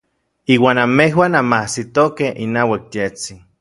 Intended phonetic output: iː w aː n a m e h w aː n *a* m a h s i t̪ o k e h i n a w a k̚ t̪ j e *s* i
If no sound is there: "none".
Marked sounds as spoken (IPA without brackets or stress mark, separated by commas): a, t͡s